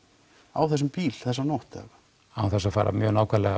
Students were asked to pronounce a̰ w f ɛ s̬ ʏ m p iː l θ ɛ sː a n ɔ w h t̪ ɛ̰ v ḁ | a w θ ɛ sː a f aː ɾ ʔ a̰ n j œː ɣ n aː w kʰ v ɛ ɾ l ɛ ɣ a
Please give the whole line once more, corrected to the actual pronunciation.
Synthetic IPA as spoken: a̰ w θ ɛ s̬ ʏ m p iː l θ ɛ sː a n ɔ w h t̪ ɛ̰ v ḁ | a w θ ɛ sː a f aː ɾ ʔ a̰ m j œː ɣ n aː w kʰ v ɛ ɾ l ɛ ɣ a